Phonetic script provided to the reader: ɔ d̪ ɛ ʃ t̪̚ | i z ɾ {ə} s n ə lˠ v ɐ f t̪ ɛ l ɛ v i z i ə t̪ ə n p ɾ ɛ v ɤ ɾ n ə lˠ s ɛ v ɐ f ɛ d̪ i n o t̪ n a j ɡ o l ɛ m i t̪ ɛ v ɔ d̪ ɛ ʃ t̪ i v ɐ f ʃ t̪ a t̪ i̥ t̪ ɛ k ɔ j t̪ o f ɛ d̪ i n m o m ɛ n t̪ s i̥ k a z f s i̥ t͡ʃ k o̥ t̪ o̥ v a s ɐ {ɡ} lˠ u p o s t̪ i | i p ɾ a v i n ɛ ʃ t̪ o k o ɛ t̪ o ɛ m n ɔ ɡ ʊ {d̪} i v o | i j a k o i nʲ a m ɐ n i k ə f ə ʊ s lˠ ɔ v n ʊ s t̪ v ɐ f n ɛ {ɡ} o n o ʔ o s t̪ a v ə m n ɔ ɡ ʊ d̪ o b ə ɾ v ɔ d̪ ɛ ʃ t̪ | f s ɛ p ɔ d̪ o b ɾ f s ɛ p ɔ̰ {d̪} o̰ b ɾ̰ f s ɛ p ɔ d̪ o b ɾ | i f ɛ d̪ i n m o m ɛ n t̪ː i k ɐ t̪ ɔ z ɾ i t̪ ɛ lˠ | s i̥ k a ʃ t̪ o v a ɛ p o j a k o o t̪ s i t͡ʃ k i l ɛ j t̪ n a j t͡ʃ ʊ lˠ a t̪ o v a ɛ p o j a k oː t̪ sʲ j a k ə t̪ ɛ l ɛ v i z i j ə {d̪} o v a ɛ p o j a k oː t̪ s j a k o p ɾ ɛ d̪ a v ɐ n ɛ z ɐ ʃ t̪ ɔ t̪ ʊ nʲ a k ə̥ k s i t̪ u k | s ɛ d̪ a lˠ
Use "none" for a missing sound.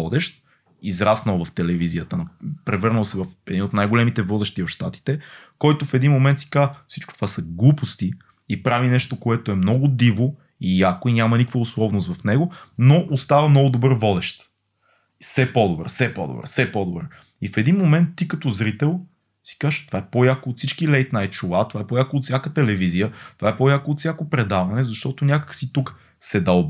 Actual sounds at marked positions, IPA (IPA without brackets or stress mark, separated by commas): a, ɡ, d̪, ɡ, d̪, t̪